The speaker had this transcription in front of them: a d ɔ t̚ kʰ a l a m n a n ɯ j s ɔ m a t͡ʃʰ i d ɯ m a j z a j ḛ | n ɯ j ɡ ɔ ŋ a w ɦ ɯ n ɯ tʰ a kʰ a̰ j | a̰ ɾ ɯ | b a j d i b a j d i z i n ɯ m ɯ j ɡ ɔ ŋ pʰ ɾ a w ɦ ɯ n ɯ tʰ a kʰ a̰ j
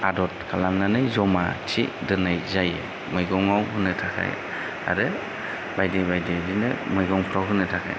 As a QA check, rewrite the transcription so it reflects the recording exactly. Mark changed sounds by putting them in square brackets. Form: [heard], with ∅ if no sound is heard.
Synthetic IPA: a d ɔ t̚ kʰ a l a m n a n ɯ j [z] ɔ m a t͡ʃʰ i d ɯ [n] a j z a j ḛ | [m] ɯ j ɡ ɔ ŋ a w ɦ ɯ n ɯ tʰ a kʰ a̰ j | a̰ ɾ ɯ | b a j d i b a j d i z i n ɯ m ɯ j ɡ ɔ ŋ pʰ ɾ a w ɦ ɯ n ɯ tʰ a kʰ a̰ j